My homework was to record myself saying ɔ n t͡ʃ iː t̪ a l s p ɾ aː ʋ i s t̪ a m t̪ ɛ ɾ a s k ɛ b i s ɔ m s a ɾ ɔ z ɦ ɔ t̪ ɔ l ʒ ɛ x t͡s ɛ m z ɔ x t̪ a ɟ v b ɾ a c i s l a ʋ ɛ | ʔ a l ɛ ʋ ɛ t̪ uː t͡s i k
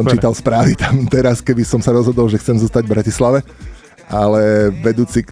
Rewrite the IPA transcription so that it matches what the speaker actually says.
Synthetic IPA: ɔ m t͡ʃ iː t̪ a l s p ɾ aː ʋ i t̪ a m t̪ ɛ ɾ a s k ɛ b i s ɔ m s a ɾ ɔ z ɦ ɔ d̪ ɔ l ʒ ɛ x t͡s ɛ m z ɔ s t̪ a ɟ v b ɾ a c i s l a ʋ ɛ | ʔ a l ɛ ʋ ɛ d̪ uː t͡s i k